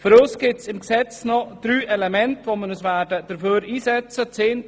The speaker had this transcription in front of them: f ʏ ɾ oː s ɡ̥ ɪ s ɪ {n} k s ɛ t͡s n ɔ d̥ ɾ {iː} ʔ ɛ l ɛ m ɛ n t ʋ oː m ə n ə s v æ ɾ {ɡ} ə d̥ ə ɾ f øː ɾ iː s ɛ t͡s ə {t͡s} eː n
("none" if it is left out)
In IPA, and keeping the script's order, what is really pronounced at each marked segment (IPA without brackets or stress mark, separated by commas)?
m, yː, d, t͡s